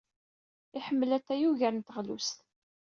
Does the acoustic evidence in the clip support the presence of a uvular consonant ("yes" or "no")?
yes